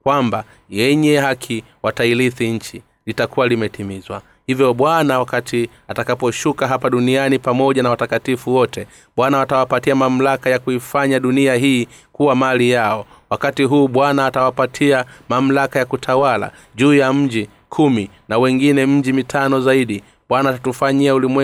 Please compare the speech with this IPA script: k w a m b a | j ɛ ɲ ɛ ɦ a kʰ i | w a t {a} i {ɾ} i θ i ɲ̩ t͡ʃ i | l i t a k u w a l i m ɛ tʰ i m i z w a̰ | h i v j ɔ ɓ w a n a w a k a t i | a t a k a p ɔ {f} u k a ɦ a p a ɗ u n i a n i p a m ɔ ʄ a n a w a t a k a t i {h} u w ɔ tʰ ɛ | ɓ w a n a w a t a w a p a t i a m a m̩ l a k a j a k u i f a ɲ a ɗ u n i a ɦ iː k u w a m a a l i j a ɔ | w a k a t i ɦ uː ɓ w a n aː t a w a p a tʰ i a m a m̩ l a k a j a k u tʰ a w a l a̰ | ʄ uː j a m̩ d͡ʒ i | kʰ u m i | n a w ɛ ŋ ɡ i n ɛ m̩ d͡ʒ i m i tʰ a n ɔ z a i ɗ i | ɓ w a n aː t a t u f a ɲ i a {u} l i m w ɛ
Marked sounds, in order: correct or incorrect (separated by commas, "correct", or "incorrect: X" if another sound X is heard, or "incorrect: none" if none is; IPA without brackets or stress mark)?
correct, incorrect: l, incorrect: ʃ, incorrect: f, correct